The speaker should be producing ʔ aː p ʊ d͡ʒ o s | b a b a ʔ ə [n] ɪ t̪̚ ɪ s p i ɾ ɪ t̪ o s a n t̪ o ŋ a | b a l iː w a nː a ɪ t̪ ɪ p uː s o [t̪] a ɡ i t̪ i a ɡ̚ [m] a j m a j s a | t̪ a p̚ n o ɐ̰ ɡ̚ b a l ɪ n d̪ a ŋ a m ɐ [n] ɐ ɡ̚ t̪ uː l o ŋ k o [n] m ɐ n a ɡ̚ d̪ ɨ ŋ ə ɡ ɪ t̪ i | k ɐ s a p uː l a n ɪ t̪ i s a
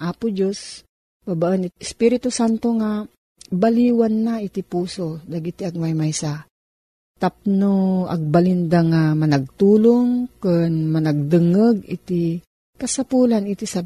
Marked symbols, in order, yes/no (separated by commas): yes, no, yes, yes, yes